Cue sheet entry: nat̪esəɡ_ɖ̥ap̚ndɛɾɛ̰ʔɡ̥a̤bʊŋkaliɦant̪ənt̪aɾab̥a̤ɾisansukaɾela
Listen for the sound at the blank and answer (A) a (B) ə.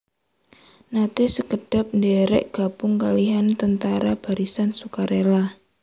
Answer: B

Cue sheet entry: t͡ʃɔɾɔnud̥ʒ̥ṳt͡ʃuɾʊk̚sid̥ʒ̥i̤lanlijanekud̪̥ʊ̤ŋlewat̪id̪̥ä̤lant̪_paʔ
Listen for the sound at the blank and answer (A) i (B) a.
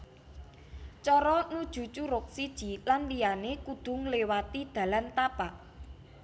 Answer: B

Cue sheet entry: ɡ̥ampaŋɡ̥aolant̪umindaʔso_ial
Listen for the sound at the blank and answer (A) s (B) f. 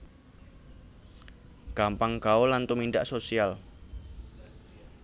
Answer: A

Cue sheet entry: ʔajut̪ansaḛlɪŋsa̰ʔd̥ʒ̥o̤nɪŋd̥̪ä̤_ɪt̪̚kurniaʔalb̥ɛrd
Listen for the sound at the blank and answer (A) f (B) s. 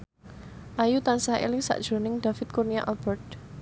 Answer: A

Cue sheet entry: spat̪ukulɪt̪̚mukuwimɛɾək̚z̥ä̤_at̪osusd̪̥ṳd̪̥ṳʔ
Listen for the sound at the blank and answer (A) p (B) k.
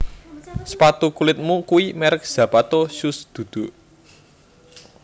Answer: A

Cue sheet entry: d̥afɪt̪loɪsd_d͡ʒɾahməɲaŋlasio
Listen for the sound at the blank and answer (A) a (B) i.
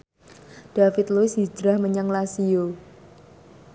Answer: B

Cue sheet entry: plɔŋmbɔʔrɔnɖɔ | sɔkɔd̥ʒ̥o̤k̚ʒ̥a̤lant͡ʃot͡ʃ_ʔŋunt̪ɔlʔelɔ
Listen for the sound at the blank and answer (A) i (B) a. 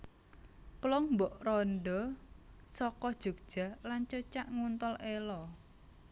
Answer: B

